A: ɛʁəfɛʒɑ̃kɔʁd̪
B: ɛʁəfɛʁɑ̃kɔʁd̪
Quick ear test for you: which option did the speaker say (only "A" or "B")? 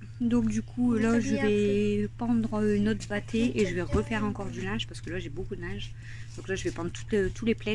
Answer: B